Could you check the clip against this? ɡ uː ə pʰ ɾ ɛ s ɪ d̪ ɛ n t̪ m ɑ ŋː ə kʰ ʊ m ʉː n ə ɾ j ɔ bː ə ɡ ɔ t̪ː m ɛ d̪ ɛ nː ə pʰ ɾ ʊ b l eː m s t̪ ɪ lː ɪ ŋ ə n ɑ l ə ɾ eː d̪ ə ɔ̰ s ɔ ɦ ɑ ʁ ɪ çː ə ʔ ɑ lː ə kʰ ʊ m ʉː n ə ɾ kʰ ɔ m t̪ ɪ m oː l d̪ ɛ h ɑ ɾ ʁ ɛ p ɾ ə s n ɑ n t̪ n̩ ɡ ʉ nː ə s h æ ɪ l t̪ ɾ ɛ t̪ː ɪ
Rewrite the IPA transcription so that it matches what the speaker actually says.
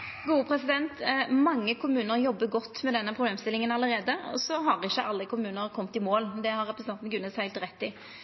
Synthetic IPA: ɡ uː ə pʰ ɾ ɛ s ɪ d̪ ɛ n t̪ m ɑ ŋː ə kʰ ʊ m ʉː n ə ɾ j ɔ bː ə ɡ ɔ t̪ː m ɛ d̪ ɛ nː ə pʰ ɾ ʊ b l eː m s t̪ ɪ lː ɪ ŋ ə n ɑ l ə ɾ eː d̪ ə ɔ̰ s ɔ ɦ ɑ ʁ ɪ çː ə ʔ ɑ lː ə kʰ ʊ m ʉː n ə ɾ kʰ ɔ m t̪ ɪ m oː l d̪ ɛ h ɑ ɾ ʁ ɛ p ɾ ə s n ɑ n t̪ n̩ ɡ ʉ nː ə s h æ ɪ l t̪ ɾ ɛ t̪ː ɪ